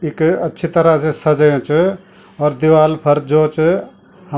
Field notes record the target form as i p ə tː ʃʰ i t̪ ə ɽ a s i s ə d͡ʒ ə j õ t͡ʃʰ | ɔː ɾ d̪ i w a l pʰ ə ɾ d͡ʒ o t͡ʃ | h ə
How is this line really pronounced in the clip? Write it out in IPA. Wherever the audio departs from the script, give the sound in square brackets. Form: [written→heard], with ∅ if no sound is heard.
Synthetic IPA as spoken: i [p→k] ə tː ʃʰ i t̪ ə [ɽ→ɾ] a s [i→e] s ə d͡ʒ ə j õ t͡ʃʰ | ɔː ɾ d̪ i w a l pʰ ə ɾ d͡ʒ o t͡ʃ | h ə